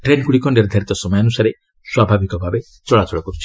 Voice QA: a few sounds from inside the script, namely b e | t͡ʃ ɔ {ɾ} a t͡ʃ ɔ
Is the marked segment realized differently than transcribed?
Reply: yes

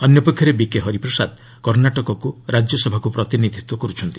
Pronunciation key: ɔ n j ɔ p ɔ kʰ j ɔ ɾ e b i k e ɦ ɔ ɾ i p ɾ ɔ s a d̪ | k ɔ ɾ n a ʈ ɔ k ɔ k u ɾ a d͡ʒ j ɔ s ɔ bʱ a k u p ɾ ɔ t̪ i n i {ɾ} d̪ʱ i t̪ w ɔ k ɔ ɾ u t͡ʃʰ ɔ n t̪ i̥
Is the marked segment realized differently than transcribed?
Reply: yes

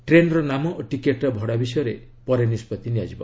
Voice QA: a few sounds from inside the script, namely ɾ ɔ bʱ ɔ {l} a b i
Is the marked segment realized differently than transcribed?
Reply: yes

